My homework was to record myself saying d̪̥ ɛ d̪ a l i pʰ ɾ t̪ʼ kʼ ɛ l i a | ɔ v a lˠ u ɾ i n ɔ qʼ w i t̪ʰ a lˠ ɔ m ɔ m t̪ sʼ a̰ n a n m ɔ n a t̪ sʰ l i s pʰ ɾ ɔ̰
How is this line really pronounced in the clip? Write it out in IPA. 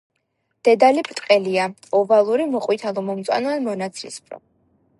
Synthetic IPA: d̪̥ ɛ d̪ a l i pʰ ɾ t̪ʼ qʼ ɛ l i a | ɔ v a lˠ u ɾ i m ɔ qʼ w i t̪ʰ a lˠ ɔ m ɔ m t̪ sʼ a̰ n a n m ɔ n a t̪ sʰ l i s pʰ ɾ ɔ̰